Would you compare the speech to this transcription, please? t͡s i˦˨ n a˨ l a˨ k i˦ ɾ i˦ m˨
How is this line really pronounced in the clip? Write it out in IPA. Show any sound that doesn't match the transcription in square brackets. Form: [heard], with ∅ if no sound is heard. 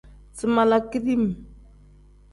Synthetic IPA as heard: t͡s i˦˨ [m] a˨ l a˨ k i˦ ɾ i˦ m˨